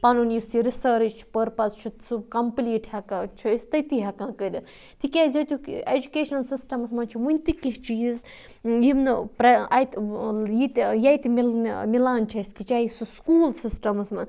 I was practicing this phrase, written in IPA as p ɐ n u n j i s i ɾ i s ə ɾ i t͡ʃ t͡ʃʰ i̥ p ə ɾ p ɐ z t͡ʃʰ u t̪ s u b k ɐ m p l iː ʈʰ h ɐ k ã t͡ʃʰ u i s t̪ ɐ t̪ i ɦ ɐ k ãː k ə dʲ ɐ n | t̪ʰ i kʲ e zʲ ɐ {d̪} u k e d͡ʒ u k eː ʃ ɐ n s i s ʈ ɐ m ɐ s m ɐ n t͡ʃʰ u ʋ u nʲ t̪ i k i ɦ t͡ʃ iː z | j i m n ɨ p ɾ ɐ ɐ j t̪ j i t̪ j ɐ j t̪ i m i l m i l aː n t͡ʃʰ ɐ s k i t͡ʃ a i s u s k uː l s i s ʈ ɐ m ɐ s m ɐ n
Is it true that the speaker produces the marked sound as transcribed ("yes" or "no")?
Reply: no